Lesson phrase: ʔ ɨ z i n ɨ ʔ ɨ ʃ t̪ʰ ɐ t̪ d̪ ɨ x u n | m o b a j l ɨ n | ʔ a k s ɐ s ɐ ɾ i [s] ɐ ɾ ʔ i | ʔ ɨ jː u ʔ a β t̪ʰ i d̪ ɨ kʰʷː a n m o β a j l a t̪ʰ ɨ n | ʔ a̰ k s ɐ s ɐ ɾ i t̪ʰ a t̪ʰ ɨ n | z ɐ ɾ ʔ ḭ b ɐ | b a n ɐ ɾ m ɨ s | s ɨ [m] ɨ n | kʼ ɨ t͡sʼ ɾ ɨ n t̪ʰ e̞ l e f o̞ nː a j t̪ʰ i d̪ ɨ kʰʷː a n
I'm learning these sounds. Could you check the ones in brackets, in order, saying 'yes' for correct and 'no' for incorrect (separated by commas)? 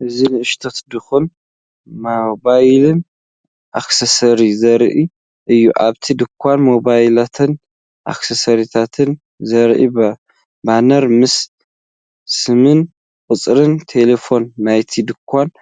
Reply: no, yes